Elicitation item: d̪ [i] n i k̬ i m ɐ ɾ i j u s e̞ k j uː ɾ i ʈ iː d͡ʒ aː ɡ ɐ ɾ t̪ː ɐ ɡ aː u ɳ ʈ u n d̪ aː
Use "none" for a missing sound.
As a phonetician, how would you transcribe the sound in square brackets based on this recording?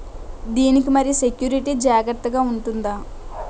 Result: iː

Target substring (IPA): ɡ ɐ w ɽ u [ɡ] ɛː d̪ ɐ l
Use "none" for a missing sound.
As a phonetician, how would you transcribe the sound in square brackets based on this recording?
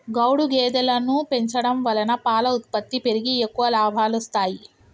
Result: ɡ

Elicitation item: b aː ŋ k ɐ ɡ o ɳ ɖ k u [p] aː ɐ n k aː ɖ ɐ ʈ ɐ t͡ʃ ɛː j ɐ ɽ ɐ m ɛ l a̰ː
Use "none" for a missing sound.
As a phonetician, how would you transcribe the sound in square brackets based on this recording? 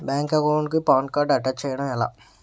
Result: p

